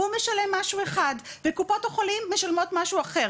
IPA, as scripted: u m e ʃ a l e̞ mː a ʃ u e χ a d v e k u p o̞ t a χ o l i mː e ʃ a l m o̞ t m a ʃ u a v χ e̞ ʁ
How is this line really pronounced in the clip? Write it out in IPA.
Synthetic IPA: u m e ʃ a l e̞ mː a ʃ u e χ a d v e k u p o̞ t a χ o l i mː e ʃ a l m o̞ t m a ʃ u a χ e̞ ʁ